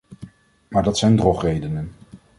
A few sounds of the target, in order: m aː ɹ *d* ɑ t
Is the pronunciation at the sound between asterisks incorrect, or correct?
correct